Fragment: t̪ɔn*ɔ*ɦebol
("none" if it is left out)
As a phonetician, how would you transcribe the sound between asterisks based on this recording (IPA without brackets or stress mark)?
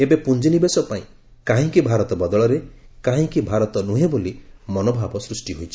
u